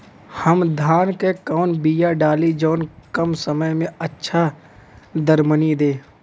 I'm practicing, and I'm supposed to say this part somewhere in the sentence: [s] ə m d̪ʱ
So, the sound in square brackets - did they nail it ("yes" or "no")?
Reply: no